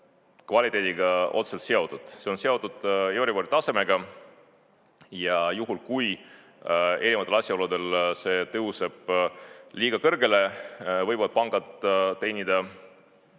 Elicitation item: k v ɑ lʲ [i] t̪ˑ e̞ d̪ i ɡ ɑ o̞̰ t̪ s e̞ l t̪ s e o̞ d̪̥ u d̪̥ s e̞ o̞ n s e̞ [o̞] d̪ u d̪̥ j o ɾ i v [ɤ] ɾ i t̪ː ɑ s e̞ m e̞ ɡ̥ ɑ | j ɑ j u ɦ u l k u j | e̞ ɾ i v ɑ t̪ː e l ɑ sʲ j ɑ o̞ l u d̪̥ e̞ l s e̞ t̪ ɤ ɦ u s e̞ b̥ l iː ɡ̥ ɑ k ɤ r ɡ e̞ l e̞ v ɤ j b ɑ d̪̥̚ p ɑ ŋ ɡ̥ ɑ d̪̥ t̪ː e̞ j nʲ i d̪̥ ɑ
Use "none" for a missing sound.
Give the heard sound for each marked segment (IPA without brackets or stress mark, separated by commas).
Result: i, o̞, o